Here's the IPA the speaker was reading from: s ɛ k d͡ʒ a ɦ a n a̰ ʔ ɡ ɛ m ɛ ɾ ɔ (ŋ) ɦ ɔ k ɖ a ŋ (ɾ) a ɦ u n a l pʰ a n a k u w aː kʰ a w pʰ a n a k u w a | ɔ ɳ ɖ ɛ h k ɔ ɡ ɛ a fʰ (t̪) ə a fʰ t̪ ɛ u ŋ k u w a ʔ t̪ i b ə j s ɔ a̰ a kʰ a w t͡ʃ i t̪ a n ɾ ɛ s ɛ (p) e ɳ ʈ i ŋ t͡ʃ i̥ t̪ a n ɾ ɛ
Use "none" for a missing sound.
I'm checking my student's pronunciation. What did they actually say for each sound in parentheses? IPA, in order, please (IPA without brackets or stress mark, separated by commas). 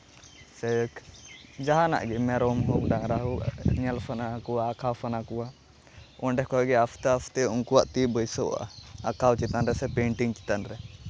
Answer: m, ɾ, t̪, p